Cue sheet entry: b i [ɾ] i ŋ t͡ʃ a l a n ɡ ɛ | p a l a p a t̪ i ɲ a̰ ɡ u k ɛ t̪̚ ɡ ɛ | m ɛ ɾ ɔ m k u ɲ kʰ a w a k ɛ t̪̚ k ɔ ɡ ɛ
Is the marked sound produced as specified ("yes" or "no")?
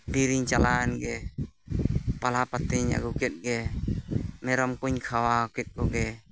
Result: yes